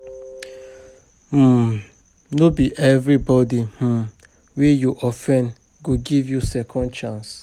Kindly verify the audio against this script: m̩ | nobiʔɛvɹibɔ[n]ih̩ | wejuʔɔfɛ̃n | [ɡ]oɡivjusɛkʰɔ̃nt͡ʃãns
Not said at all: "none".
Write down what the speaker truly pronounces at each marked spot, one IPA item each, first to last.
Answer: d, ɡ

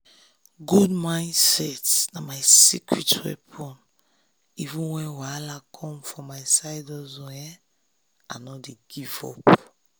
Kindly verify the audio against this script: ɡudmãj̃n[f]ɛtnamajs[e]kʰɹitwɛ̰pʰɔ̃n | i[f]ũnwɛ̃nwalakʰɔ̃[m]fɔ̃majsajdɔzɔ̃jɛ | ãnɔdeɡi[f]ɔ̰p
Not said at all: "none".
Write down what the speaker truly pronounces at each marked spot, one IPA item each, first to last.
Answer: s, i, v, m, v

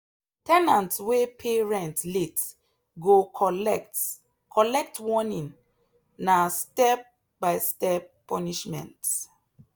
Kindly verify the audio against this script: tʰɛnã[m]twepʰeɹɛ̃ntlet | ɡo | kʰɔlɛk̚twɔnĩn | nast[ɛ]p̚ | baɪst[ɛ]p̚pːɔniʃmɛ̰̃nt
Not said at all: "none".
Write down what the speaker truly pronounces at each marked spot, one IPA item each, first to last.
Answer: n, ɛ, ɛ

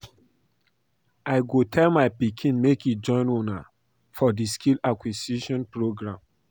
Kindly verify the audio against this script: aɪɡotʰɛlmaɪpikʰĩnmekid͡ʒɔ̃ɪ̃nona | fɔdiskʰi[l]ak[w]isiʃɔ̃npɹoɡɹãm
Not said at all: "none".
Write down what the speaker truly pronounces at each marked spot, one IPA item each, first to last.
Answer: l, w

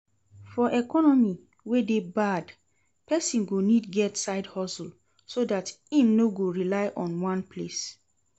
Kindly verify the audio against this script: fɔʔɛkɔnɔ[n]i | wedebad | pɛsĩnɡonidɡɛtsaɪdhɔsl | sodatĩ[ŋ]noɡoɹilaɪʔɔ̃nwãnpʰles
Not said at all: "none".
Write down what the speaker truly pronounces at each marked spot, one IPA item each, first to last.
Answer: m, m

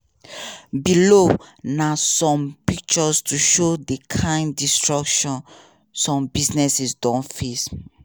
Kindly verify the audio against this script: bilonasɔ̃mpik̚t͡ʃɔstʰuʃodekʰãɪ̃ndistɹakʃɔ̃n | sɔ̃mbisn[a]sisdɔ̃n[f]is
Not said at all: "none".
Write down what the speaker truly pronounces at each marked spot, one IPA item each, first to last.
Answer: ɛ, f

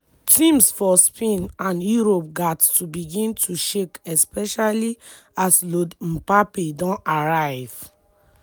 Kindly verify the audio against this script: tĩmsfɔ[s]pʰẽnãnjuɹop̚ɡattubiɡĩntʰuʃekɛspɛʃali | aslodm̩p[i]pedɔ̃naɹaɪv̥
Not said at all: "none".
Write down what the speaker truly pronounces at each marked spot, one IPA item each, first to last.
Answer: s, a

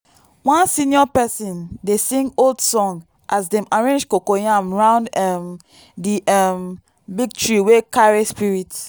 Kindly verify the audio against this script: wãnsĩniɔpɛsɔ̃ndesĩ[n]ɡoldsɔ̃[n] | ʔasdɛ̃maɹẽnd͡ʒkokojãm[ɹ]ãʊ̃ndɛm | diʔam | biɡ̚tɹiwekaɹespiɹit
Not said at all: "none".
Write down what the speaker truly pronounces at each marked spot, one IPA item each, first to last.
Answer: ŋ, ŋ, ɹ

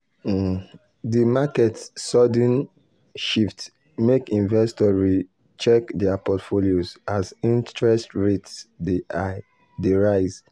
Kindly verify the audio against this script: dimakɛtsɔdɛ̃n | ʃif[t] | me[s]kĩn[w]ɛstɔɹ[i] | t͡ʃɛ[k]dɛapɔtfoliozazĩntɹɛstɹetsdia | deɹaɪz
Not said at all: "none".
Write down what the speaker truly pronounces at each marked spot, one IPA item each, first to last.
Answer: t, none, v, i, k

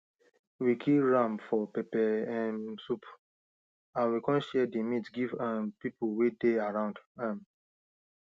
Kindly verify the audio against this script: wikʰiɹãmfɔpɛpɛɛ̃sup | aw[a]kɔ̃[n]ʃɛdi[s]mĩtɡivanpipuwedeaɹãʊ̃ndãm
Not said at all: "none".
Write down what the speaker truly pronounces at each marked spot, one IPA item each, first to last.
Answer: i, n, none

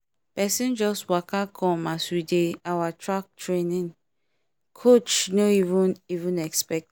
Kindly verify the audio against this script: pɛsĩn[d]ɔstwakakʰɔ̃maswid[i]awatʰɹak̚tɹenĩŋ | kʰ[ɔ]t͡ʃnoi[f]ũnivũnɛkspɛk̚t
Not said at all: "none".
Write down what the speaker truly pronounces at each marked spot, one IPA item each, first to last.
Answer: d͡ʒ, e, o, v

